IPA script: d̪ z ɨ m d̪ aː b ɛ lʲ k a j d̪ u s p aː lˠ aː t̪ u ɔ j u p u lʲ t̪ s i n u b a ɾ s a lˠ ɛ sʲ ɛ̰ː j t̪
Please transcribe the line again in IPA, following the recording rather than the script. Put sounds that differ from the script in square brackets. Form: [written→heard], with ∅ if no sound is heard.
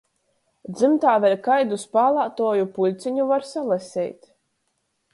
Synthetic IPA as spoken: d̪ z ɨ m [d̪→t̪] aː [b→v] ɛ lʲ k a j d̪ u s p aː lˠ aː t̪ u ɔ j u p u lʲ t̪ s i [n→ɲ] u [b→v] a ɾ s a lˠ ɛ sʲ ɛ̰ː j t̪